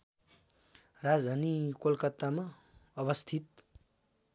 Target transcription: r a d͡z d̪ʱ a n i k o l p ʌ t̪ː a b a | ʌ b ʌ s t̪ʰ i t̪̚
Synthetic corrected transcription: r a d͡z d̪ʱ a n i k o l k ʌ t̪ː a m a | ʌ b ʌ s t̪ʰ i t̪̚